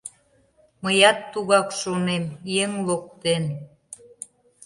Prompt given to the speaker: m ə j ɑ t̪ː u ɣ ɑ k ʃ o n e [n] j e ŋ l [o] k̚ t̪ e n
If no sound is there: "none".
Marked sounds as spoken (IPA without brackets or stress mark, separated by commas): m, o